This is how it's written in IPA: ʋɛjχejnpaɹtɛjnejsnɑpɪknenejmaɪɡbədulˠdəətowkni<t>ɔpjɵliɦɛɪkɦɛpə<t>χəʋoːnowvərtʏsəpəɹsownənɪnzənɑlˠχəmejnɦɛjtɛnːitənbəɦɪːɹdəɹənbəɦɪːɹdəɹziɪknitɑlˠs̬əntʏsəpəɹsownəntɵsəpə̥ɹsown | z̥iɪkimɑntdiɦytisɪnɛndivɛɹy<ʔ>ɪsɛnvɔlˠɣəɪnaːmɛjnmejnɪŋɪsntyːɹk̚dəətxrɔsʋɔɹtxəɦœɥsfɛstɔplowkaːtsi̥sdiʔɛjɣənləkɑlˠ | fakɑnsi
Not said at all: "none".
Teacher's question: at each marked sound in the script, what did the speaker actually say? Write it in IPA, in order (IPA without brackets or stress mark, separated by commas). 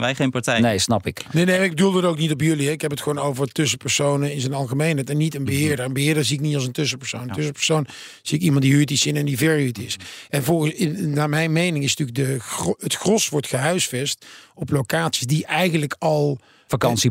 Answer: t, t, t